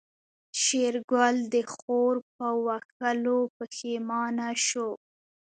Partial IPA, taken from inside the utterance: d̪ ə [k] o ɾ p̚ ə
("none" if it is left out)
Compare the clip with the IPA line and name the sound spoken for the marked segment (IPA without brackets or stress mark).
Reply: x